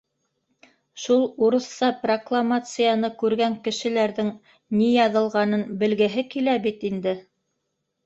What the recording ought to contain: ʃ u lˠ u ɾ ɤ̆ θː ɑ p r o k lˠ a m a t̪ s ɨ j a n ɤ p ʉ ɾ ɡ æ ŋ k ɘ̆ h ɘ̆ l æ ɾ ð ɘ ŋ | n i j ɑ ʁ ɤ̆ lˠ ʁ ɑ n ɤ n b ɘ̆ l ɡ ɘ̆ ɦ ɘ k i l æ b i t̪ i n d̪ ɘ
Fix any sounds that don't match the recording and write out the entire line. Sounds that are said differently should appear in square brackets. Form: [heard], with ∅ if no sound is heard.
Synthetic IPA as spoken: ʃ u lˠ u ɾ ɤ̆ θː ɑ p r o k lˠ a m a t̪ s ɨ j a n ɤ [k] ʉ ɾ ɡ æ ŋ k ɘ̆ [ʃ] ɘ̆ l æ ɾ ð ɘ ŋ | n i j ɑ [ð] ɤ̆ lˠ ʁ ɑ n ɤ n b ɘ̆ l ɡ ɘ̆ ɦ ɘ k i l æ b i t̪ i n d̪ ɘ